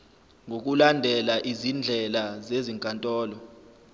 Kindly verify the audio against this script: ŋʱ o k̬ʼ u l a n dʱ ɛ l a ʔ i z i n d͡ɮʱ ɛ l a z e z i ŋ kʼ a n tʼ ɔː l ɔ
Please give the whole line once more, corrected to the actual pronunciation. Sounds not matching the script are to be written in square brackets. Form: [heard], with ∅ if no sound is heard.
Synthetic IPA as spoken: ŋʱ o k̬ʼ u l a n dʱ ɛ l a ʔ i z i n d͡ɮʱ ɛ l a z e z i ŋ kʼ a n tʼ ɔː l ɔ